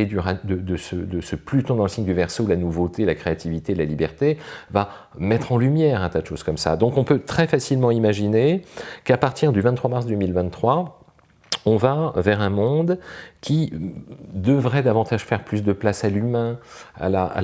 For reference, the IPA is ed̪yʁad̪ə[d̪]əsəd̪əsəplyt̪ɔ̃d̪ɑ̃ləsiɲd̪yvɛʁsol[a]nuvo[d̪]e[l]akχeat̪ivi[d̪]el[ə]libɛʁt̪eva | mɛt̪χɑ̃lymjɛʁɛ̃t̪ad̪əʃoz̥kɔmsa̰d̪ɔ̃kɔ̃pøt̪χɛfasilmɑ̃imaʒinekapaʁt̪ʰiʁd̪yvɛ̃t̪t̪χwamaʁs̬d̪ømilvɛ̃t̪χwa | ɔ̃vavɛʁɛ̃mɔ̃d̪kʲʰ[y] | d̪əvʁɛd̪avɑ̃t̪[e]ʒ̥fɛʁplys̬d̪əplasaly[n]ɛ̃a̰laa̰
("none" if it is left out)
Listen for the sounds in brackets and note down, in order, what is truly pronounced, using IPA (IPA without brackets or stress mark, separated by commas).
d̪, a, t̪, l, t̪, a, i, a, m